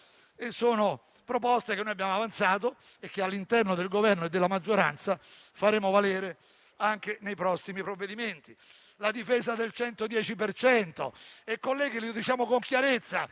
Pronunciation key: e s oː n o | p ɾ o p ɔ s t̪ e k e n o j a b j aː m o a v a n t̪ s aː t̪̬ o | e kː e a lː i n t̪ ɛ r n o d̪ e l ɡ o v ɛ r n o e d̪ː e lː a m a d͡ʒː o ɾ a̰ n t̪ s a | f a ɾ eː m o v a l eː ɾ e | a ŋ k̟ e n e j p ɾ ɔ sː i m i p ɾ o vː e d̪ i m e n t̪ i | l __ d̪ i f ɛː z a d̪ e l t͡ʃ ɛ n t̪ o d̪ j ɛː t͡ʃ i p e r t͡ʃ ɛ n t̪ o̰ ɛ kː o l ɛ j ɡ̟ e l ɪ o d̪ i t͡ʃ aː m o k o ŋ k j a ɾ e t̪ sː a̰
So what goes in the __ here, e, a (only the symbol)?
a